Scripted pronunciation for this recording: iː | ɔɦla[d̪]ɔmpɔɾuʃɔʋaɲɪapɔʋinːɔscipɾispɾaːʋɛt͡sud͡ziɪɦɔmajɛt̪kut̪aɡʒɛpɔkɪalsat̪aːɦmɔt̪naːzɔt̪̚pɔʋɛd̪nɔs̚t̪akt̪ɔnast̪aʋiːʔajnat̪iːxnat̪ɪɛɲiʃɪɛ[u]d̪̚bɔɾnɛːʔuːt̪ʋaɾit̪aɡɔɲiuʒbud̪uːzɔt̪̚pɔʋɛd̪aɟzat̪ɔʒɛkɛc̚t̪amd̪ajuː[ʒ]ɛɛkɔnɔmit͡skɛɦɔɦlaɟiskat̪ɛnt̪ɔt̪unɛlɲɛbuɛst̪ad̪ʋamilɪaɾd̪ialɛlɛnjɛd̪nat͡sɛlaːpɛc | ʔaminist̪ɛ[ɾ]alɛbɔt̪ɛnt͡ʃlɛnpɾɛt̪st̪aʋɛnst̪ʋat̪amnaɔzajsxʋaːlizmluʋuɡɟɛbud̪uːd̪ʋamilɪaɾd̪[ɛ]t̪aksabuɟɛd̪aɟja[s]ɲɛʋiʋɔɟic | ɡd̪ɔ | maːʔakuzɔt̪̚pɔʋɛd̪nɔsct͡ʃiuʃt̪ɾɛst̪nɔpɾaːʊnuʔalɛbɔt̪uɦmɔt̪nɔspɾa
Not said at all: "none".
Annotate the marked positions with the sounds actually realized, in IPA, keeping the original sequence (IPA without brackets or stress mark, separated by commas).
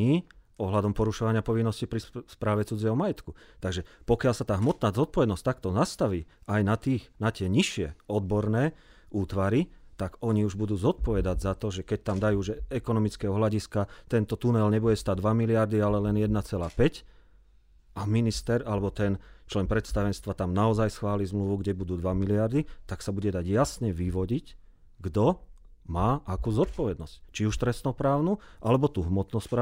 d̪, ɔ, ʒ, ɾ, i, s